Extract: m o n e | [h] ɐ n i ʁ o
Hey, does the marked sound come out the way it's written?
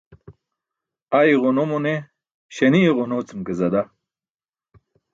no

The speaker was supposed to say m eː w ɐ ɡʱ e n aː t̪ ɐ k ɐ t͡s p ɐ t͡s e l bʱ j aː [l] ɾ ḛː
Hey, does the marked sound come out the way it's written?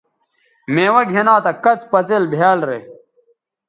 yes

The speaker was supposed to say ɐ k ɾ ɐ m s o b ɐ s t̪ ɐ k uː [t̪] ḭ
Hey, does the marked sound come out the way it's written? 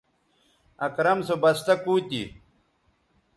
yes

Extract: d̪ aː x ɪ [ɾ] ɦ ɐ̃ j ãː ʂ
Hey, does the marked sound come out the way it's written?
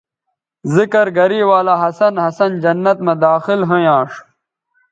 no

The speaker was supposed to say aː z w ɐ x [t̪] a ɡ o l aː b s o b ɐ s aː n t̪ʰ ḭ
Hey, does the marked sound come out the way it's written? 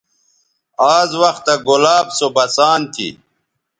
yes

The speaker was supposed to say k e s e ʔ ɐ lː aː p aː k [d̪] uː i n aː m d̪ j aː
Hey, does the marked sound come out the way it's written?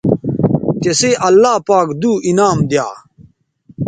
yes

